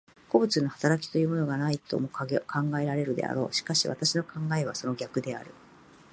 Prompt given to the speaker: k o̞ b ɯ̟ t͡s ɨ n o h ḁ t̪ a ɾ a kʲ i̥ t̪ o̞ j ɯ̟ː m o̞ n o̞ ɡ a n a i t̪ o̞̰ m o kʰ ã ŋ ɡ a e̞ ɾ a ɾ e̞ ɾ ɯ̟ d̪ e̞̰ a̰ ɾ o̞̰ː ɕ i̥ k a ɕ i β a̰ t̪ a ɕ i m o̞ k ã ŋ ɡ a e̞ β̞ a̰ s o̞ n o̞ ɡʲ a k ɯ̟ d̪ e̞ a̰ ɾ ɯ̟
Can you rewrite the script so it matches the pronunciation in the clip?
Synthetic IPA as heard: k o̞ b ɯ̟ t͡s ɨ n o h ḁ t̪ a ɾ a kʲ i̥ t̪ o̞ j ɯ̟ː m o̞ n o̞ ɡ a n a i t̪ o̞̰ m o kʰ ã ŋ ɡ a e̞ ɾ a ɾ e̞ ɾ ɯ̟ d̪ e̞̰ a̰ ɾ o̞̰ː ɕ i̥ k a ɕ i β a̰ t̪ a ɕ i n o̞ k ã ŋ ɡ a e̞ β̞ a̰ s o̞ n o̞ ɡʲ a k ɯ̟ d̪ e̞ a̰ ɾ ɯ̟